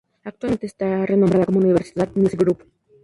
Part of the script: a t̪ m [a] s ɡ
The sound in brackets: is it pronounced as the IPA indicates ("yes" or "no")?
no